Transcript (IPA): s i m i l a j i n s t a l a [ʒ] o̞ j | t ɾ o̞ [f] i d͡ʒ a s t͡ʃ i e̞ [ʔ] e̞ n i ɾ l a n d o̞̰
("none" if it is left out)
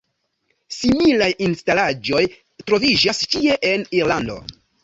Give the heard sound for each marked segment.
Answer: d͡ʒ, v, ʔ

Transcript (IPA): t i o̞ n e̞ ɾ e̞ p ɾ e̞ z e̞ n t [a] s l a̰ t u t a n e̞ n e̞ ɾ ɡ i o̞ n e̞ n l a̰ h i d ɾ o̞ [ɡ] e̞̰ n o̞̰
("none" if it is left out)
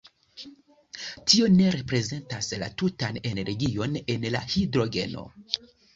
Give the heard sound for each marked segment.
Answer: a, ɡ

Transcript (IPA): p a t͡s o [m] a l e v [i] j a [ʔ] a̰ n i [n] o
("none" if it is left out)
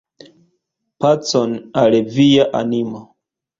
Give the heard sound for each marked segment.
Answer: n, i, ʔ, m

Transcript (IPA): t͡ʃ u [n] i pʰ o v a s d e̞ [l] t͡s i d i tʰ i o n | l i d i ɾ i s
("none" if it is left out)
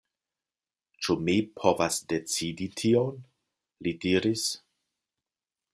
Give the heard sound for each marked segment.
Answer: m, none

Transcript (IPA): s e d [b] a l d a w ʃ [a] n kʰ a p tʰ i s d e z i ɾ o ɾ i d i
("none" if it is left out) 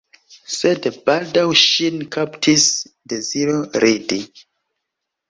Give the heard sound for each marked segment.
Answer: b, i

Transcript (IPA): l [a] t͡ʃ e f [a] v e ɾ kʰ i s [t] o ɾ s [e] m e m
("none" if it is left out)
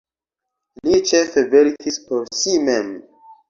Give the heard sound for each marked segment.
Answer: i, e, p, i

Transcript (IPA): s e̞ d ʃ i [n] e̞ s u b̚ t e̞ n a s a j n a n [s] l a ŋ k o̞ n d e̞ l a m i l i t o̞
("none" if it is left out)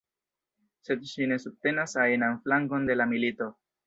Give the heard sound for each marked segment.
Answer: n, f

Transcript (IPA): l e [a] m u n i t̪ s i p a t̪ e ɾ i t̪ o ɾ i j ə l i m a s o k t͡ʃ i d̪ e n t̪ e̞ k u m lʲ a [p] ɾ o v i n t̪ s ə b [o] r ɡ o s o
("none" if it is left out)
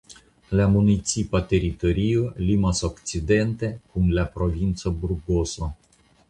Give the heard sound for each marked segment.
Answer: a, p, u

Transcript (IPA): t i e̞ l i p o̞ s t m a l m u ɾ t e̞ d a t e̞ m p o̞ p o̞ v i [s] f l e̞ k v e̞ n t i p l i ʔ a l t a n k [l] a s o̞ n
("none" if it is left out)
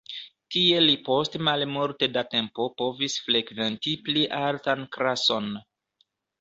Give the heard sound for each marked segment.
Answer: s, ɾ

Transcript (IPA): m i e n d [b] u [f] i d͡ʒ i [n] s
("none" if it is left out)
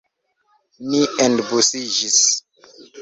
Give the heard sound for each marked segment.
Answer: b, s, none

